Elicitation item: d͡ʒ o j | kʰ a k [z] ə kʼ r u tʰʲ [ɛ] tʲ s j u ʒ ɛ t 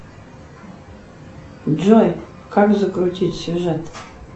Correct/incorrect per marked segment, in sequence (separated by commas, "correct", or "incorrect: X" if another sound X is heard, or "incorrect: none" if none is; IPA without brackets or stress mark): correct, incorrect: i